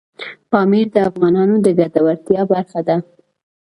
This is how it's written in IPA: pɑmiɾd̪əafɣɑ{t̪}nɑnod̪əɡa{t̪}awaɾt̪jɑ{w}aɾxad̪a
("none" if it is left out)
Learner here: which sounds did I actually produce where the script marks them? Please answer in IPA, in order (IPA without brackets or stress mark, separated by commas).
none, d̪, b